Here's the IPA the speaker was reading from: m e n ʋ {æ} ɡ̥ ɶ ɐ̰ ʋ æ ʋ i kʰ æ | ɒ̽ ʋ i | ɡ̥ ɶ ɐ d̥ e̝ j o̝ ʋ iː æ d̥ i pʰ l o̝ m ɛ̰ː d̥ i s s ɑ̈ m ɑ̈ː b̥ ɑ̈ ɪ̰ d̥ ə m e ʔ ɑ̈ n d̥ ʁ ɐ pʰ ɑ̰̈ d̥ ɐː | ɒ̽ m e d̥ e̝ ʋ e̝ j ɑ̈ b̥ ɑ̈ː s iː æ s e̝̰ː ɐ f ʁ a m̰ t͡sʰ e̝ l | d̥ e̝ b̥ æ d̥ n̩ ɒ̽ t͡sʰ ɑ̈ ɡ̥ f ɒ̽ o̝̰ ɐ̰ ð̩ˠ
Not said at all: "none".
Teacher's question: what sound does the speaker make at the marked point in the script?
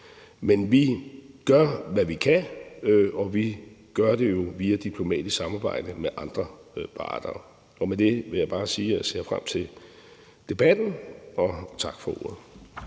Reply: i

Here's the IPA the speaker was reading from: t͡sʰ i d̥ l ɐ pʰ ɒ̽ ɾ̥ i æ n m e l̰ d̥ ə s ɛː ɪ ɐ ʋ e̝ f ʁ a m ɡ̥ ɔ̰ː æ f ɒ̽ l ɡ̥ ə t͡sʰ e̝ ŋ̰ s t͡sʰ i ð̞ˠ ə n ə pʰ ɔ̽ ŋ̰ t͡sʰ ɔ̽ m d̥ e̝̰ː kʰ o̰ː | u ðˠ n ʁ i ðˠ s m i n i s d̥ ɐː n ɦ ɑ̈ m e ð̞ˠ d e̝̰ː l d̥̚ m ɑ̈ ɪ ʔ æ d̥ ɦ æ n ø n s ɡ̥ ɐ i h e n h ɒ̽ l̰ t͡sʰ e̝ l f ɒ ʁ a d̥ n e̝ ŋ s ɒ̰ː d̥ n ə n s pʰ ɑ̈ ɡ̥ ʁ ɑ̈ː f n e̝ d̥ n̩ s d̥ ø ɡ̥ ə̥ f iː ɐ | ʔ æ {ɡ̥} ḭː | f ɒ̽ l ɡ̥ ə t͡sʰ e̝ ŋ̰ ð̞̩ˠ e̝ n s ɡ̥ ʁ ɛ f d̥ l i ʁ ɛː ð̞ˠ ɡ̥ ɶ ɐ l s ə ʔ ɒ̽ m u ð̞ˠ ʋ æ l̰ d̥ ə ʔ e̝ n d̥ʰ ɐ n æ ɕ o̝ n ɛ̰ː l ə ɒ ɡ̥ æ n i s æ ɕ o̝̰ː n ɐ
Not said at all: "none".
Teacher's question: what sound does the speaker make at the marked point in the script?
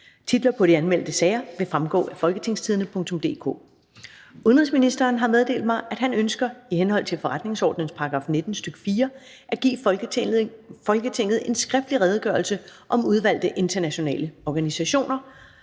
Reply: ɡ̥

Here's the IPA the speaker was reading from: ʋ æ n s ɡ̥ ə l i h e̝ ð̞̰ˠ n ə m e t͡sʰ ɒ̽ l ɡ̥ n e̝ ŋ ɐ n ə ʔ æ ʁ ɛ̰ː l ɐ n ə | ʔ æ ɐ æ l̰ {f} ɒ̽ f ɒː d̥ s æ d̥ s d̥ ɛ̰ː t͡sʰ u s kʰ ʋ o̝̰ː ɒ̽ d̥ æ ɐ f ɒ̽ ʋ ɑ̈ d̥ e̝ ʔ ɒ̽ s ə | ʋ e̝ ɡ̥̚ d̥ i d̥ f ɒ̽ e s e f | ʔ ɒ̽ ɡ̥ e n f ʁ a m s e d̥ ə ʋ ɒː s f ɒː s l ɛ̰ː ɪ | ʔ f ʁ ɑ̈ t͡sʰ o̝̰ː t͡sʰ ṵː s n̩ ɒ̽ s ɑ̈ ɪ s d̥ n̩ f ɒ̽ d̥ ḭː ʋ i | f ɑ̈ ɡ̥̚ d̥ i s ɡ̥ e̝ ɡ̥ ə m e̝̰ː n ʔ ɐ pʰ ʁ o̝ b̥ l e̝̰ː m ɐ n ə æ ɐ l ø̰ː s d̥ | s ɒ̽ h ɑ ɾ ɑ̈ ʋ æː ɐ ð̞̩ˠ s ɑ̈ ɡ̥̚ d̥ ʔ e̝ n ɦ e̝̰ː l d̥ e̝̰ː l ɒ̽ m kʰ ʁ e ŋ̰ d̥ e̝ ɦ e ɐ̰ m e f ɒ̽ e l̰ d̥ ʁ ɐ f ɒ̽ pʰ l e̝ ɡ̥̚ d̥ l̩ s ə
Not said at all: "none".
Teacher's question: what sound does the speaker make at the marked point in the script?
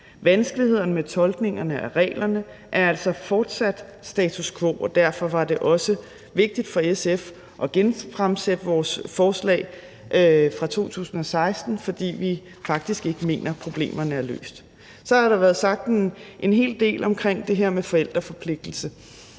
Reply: s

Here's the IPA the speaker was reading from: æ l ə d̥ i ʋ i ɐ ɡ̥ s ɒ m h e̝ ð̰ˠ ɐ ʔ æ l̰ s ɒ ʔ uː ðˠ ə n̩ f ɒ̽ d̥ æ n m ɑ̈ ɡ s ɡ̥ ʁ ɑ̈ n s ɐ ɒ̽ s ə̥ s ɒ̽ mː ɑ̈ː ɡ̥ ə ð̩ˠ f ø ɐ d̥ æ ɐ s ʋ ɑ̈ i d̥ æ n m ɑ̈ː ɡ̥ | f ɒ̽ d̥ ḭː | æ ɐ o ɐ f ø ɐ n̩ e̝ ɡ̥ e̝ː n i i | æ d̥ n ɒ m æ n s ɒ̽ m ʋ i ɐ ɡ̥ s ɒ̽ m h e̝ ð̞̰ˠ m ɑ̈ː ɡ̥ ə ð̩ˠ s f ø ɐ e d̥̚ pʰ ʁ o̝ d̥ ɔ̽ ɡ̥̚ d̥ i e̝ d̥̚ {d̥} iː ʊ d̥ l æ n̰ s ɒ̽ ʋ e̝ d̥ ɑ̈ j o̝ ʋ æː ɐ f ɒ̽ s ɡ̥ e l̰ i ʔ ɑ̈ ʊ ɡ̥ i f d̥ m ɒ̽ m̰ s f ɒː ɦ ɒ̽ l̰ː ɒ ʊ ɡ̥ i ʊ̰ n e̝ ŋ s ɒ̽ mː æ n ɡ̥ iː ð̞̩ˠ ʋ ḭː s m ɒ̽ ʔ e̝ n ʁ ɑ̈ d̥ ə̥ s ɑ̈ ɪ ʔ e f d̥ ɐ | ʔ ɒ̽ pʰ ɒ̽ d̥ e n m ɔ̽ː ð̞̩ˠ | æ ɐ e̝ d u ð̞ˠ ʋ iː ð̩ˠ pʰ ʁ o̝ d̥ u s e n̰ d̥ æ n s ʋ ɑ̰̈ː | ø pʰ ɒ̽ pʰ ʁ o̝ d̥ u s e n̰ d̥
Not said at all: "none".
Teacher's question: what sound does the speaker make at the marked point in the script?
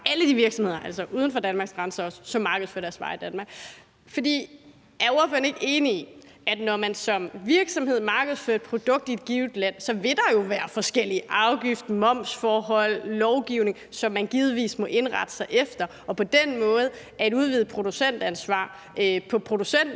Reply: ɡ̥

